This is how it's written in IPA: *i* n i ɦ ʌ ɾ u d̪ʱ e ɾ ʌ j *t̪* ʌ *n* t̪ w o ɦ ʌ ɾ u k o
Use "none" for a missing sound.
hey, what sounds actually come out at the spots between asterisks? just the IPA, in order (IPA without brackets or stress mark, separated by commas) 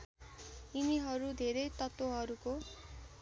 i, t̪, none